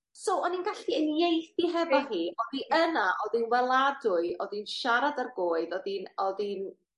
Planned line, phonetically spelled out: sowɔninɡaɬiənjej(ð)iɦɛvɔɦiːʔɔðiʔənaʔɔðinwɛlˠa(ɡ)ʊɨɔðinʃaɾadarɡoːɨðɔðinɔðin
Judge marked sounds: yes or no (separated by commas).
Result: no, no